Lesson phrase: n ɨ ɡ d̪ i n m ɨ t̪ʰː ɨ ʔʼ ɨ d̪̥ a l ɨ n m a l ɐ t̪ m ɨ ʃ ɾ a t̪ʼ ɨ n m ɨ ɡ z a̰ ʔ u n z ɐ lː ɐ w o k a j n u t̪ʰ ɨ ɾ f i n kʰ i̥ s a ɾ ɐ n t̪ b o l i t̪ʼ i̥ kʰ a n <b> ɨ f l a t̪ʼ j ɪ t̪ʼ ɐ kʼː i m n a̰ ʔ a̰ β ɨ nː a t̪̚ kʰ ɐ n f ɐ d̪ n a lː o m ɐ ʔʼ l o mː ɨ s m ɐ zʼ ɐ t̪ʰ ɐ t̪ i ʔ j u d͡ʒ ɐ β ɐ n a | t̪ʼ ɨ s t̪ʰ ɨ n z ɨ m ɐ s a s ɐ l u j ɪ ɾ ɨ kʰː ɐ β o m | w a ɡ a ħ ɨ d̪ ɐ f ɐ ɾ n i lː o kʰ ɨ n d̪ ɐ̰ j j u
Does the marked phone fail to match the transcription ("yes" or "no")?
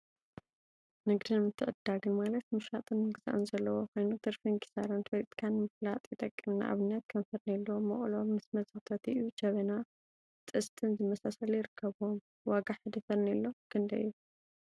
yes